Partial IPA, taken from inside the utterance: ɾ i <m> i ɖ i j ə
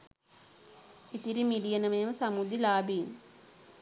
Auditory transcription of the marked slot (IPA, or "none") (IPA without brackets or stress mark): m